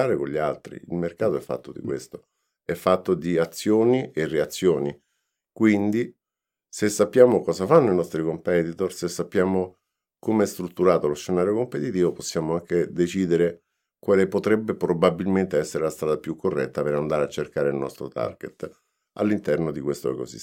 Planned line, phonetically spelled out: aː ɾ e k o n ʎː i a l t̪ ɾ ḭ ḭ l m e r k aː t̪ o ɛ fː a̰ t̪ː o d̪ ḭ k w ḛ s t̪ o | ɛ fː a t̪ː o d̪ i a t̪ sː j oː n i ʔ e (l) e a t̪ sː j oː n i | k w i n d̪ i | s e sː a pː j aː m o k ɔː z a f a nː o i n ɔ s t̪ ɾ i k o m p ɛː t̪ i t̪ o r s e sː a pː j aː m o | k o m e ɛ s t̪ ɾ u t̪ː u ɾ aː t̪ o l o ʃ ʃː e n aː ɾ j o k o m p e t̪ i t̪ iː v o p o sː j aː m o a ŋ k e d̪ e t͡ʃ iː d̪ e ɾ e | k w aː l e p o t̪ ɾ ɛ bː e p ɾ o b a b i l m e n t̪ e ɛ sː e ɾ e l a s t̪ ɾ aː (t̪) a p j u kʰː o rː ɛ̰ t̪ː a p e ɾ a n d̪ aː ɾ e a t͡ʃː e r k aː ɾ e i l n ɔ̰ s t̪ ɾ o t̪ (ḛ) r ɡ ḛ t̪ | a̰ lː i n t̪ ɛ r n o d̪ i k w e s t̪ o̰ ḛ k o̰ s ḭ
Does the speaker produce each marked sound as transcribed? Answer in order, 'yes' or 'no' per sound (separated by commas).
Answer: no, no, no